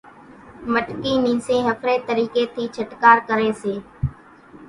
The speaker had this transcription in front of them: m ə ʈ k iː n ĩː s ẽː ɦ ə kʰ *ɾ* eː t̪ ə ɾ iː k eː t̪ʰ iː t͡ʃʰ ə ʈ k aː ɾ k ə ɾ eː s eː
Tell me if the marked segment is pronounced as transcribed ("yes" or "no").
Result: yes